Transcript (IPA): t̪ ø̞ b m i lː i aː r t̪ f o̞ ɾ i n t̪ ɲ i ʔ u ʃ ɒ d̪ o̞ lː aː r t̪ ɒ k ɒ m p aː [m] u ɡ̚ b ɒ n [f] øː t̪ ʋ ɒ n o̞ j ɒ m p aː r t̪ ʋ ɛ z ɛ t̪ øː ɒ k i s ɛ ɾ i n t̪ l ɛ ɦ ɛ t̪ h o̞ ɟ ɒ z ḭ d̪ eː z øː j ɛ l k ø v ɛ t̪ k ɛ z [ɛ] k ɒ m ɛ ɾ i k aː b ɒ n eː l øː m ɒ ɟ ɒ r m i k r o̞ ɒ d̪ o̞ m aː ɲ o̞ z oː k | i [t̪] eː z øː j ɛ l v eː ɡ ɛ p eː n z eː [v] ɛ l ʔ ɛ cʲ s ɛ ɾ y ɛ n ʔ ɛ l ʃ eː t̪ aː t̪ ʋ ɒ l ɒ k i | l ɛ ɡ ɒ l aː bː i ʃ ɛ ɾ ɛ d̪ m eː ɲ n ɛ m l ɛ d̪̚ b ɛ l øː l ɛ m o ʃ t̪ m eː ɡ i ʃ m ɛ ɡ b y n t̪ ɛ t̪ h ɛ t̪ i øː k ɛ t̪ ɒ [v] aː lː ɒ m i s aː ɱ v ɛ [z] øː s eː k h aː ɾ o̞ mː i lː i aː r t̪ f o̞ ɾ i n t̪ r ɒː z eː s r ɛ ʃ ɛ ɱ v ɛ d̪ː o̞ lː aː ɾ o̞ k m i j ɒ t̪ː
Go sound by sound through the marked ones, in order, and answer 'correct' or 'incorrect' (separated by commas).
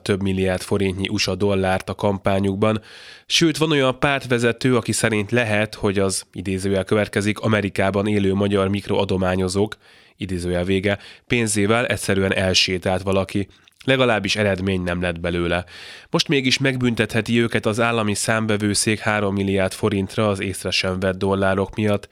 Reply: incorrect, incorrect, incorrect, incorrect, correct, incorrect, incorrect